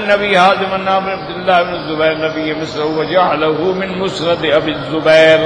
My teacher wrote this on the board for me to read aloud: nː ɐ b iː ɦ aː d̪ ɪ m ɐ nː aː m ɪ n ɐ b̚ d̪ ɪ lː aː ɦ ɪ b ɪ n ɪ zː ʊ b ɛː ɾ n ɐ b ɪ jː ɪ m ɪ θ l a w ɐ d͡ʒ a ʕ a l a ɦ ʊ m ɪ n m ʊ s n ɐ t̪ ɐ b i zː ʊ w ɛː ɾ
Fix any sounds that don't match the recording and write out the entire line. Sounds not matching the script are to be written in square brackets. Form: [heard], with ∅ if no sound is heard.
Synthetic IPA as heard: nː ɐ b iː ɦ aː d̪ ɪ m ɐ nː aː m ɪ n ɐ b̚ d̪ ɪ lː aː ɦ ɪ b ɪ n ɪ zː ʊ b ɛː ɾ n ɐ b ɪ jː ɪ m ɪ [s] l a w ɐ d͡ʒ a ʕ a l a ɦ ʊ m ɪ n m ʊ s n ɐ [d̪] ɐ b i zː ʊ [b] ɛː ɾ